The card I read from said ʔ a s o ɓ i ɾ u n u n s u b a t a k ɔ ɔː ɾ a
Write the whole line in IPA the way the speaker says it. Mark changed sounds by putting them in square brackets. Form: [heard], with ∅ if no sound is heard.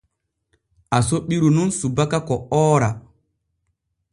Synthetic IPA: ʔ a s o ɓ i ɾ u n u n s u b a [k] a k ɔ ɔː ɾ a